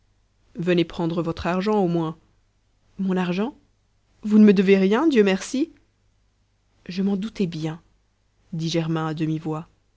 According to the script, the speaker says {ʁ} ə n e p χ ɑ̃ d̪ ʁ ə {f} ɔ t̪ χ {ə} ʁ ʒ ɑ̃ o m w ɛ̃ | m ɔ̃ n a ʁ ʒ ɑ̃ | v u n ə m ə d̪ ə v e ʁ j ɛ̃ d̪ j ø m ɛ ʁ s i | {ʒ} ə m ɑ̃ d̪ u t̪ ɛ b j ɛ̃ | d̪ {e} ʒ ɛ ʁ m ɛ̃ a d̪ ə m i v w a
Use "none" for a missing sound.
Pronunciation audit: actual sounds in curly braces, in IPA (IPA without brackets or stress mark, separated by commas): v, v, a, ʒ, i